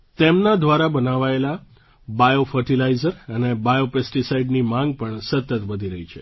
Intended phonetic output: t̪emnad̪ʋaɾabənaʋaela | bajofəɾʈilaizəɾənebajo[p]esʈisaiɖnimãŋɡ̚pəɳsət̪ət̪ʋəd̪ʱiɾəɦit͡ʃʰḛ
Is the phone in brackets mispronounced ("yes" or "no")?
no